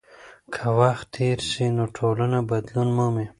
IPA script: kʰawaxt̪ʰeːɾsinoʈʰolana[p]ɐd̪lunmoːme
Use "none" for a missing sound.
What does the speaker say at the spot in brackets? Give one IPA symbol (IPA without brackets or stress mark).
b